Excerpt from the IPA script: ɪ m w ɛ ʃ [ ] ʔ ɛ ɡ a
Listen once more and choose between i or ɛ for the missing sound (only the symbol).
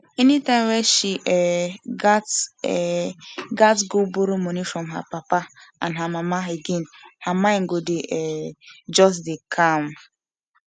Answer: i